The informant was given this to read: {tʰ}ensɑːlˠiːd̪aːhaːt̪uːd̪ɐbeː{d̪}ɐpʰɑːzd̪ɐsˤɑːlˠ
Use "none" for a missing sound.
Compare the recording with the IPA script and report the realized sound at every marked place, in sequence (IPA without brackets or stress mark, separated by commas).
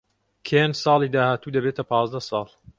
kʰ, t̪